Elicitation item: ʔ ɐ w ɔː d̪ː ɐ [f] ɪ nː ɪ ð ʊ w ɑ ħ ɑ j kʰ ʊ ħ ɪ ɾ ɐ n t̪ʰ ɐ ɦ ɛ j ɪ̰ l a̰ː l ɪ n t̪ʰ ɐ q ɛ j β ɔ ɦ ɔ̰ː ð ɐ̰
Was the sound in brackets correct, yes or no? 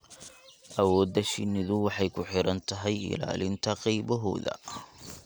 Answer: no